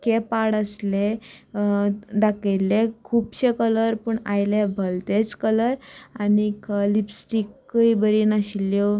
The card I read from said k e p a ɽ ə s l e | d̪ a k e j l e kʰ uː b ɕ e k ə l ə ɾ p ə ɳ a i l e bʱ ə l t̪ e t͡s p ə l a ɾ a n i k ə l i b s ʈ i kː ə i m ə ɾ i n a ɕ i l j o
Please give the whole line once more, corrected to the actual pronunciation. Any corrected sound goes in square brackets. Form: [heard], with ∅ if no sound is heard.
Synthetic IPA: k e p a ɽ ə s l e | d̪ a k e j l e kʰ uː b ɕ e k ə l ə ɾ p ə ɳ a [j] l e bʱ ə l t̪ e t͡s [k] ə l [ə] ɾ a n i k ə l i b s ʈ i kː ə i [b] ə ɾ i n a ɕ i l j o